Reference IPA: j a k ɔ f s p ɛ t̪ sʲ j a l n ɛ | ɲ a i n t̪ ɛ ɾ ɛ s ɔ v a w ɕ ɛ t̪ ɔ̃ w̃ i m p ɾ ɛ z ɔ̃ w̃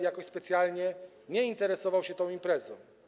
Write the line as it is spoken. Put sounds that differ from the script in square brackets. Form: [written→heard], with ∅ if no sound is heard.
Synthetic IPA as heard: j a k ɔ [f→ɕ] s p ɛ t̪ sʲ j a l [n→ɲ] ɛ | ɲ [a→ɛ] i n t̪ ɛ ɾ ɛ s ɔ v a w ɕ ɛ t̪ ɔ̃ w̃ i m p ɾ ɛ z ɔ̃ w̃